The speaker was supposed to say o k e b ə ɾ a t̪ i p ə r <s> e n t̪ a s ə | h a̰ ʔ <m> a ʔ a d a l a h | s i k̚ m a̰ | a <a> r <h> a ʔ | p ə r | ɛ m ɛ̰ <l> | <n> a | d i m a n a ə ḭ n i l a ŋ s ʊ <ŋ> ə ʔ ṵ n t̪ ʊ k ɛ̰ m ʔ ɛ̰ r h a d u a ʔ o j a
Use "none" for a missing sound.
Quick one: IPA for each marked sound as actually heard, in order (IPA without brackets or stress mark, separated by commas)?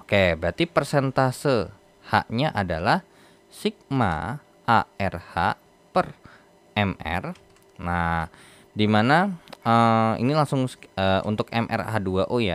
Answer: s, ɲ, ɛ, h, r, n, ŋ